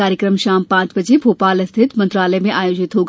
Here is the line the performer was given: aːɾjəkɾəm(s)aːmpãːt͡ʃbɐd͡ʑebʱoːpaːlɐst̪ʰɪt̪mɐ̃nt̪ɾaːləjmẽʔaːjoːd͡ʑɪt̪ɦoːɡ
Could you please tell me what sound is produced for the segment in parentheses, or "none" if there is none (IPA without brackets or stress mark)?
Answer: ʃ